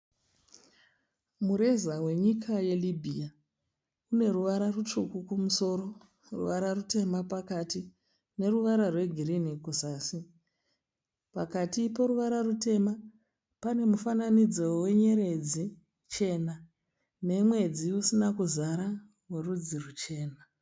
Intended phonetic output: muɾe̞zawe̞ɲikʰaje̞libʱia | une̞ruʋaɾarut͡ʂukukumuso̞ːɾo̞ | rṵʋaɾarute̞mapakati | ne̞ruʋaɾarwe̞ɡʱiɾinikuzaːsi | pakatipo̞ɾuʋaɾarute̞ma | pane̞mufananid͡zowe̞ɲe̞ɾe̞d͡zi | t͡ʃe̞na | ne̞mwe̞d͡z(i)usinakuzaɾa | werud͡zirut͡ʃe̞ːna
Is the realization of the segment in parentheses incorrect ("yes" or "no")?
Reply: no